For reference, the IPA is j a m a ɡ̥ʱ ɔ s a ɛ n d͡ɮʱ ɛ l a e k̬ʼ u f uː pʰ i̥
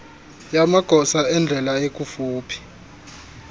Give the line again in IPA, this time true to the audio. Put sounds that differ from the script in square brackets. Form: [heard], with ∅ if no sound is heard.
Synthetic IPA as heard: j a m a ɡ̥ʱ ɔ s a ɛ n d͡ɮʱ ɛ l a e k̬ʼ u f uː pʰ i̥